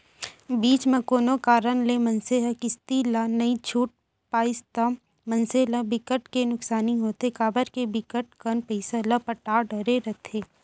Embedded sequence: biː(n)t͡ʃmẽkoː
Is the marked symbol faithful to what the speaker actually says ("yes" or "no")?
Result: no